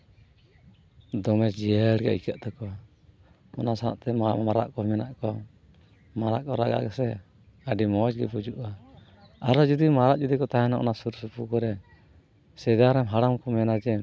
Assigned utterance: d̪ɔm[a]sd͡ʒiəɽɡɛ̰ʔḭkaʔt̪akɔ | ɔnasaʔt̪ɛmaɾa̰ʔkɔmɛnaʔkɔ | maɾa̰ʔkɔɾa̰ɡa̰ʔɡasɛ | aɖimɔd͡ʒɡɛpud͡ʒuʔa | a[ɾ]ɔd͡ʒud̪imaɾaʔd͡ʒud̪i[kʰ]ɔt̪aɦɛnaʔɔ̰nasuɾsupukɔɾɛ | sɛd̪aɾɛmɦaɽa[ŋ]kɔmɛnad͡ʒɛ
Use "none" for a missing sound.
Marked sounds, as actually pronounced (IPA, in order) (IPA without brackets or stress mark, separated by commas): ɛ, ɾ, k, m